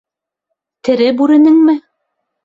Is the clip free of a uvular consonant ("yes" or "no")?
yes